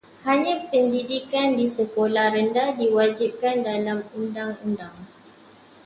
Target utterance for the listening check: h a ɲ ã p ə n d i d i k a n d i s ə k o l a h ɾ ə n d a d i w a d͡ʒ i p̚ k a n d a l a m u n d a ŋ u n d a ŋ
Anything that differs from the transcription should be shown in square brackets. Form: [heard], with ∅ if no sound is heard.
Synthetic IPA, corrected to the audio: h a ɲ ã p ə n d i d i k a n d i s ə k o l a h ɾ ə n d a d i w a d͡ʒ i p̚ k a n d a l a m u n d a ŋ u n d a ŋ